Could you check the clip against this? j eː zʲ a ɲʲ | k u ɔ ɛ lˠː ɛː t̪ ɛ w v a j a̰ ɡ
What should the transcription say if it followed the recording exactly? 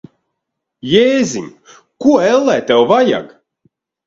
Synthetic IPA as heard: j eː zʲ i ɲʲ | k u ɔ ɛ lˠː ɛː t̪ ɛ w v a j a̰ ɡ